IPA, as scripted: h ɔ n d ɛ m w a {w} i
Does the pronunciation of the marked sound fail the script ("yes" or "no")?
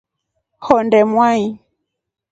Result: yes